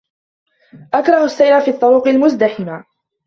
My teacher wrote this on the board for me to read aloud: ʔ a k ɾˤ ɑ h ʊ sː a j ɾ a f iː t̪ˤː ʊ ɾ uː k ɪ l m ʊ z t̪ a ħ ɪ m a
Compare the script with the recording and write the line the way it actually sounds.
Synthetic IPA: ʔ a k ɾˤ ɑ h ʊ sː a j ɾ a f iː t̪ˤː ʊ ɾ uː q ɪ l m ʊ z d̪ a ħ ɪ m a